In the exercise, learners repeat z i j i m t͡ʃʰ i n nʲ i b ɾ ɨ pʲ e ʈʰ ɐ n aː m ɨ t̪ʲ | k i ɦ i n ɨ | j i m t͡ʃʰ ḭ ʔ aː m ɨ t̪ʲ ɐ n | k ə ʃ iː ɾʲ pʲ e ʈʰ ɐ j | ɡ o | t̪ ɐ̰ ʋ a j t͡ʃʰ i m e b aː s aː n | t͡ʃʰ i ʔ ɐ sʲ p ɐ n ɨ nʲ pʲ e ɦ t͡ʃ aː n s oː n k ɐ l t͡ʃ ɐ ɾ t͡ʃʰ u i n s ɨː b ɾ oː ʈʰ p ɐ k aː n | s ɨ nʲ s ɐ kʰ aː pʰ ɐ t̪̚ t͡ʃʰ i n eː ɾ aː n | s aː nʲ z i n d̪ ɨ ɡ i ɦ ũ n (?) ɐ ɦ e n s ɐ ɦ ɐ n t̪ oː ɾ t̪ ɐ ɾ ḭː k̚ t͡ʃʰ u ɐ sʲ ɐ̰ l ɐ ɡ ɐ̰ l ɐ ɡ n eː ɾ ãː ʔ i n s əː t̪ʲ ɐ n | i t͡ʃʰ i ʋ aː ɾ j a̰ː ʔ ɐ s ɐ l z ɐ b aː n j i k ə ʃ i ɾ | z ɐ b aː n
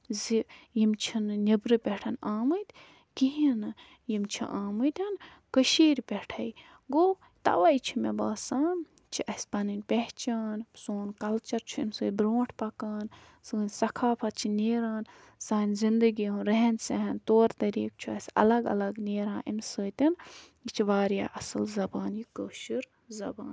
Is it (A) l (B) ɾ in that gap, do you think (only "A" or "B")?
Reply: B